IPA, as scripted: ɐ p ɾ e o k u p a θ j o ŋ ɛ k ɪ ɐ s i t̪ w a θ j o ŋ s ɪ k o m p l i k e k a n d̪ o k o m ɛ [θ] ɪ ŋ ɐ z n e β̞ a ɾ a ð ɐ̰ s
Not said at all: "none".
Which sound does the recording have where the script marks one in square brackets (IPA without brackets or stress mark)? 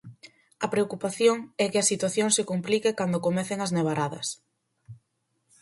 θ